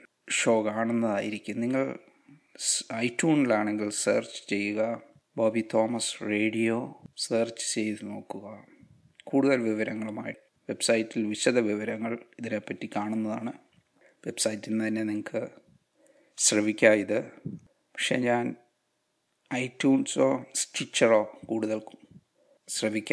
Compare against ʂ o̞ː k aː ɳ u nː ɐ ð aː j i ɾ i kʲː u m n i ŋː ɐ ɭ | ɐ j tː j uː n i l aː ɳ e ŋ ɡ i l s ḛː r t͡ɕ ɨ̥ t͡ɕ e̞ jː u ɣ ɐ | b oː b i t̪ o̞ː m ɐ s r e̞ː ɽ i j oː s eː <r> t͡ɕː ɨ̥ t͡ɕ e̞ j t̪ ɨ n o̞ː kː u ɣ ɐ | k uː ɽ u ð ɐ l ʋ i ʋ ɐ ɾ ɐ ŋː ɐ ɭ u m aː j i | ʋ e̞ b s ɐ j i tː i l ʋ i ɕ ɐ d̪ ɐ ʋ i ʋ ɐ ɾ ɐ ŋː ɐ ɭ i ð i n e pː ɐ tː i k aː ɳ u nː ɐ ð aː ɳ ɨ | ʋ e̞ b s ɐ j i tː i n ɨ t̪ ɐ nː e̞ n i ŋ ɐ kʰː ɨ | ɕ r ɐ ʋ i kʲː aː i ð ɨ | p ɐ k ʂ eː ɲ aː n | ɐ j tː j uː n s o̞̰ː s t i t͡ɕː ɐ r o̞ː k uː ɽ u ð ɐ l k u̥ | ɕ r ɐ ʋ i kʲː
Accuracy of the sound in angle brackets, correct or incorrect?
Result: correct